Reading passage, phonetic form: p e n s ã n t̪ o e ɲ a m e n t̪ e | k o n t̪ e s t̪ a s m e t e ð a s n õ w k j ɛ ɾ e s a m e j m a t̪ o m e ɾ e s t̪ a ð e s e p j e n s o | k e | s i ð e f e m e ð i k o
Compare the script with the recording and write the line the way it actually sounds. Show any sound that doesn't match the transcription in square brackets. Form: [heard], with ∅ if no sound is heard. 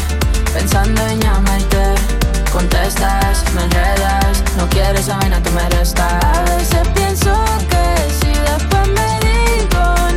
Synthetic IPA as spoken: p e n s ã n [d̪] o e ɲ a m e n t̪ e | k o n t̪ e s t̪ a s m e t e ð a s n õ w k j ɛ ɾ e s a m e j [n] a t̪ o m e ɾ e s t̪ a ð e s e p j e n s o | k e | s i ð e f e m e ð i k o